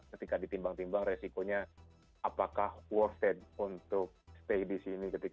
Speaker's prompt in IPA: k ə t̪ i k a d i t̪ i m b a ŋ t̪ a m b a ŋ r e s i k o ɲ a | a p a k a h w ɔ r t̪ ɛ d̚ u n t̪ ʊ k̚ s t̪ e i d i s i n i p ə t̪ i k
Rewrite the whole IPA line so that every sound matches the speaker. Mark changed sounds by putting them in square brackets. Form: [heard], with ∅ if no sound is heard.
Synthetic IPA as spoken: k ə t̪ i k a d i t̪ i m b a ŋ t̪ [i] m b a ŋ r e s i k o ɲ a | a p a k a h w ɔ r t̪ ɛ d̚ u n t̪ ʊ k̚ s t̪ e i d i s i n i [k] ə t̪ i k

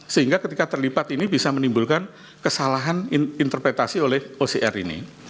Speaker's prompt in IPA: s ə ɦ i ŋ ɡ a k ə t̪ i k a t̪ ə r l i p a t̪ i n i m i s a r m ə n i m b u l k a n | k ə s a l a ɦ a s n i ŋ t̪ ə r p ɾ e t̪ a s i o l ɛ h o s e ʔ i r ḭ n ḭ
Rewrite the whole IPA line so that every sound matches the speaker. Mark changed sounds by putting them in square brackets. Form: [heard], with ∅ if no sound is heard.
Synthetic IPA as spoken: s ə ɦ i ŋ ɡ a k ə t̪ i k a t̪ ə r l i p a t̪ i n i [b] i s a [∅] m ə n i m b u l k a n | k ə s a l a ɦ a [∅] n i [n] t̪ ə r p ɾ e t̪ a s i o l ɛ h o s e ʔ [ɛ] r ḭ n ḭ

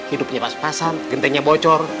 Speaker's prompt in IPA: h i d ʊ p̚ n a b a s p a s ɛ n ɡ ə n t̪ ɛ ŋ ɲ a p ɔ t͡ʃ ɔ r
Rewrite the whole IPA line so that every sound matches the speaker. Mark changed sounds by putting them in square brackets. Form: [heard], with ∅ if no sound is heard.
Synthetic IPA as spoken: h i d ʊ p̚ [ɲ] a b a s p a s [a] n ɡ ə n t̪ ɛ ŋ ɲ a [b] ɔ t͡ʃ ɔ r

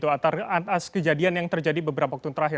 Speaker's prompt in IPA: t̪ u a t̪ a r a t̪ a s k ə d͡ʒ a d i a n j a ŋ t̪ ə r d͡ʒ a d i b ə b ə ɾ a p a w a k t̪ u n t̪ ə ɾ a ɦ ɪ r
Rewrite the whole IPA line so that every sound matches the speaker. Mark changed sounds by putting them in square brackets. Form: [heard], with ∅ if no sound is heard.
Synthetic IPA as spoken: t̪ u a t̪ a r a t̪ a s k ə d͡ʒ a d i a n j a ŋ t̪ ə r d͡ʒ a d i b ə b ə ɾ a p a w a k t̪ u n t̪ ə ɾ a ɦ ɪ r

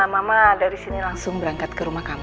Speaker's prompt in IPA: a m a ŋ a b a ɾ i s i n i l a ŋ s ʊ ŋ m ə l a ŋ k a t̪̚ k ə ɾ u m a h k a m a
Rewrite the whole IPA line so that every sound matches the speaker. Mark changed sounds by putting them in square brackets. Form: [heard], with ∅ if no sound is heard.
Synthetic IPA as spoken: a m a [m] a [d] a ɾ i s i n i l a ŋ s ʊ ŋ [b] ə [ɾ] a ŋ k a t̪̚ k ə ɾ u m a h k a m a

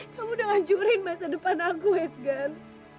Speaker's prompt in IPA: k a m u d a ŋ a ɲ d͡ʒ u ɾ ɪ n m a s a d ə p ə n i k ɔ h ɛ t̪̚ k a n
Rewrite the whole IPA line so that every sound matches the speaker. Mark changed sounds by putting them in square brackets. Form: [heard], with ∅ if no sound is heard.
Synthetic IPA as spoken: k a m u d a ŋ a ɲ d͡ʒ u ɾ ɪ n m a s a d ə p [a] n [a] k [u] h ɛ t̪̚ [ɡ] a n

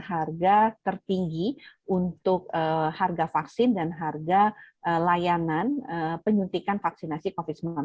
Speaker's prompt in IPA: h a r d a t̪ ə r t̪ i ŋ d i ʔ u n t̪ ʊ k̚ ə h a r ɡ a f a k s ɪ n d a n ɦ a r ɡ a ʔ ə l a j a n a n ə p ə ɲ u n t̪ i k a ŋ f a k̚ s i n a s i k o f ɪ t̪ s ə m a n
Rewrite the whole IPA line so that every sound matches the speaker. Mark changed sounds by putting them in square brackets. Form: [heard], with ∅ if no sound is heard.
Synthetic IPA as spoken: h a r [ɡ] a t̪ ə r t̪ i ŋ [ɡ] i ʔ u n t̪ ʊ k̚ ə h a r ɡ a f a k s ɪ n d a n ɦ a r ɡ a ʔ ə l a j a n a n ə p ə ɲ u n t̪ i k a [n] f a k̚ s i n a s i k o f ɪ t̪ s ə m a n

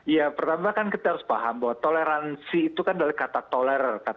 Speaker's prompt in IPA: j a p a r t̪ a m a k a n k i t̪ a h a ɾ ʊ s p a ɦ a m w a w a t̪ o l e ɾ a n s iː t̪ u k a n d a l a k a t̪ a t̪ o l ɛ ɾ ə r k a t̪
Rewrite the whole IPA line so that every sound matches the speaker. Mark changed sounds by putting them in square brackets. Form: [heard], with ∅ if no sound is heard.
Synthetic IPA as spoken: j a p [ə] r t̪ a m a k a n k i t̪ a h a ɾ ʊ s p a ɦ a m [b] a w a t̪ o l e ɾ a n s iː t̪ u k a n d a l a k a t̪ a t̪ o l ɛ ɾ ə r k a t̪

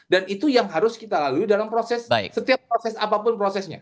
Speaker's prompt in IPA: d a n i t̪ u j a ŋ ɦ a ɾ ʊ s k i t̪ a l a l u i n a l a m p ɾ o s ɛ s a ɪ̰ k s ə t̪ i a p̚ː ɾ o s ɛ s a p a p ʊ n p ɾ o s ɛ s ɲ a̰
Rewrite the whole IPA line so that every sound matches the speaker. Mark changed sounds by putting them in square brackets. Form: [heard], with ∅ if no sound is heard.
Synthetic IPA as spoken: d a n i t̪ u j a ŋ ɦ a ɾ ʊ s k i t̪ a l a l u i [d] a l a m p ɾ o s ɛ s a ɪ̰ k s ə t̪ i a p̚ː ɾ o s ɛ s a p a p ʊ n p ɾ o s ɛ s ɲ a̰

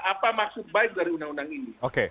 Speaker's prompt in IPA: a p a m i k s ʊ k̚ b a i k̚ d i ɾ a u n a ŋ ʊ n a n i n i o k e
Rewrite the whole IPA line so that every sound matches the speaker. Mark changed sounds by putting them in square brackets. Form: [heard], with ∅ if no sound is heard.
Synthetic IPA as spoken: a p a m [a] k s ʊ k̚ b a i k̚ d [a] ɾ [i] u n a ŋ [u] n a [ŋ] i n i o k e

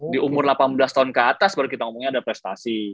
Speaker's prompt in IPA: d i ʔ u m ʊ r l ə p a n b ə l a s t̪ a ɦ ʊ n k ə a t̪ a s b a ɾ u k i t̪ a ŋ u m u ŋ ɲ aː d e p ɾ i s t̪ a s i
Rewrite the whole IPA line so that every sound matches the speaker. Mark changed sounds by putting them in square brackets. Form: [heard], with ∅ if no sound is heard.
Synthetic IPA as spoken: d i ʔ u m ʊ r l [a] p a n b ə l a s t̪ a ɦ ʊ n k ə a t̪ a s b a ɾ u k i t̪ a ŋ u m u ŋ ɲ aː d [a] p ɾ [ɛ] s t̪ a s i

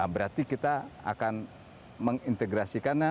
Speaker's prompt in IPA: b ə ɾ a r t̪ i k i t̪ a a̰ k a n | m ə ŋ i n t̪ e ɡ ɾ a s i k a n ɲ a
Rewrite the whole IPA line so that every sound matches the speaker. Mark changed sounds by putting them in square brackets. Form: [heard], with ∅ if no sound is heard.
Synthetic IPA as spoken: b ə ɾ a r t̪ i k i t̪ a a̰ k a n | m ə ŋ i n t̪ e ɡ ɾ a s i k a n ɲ a

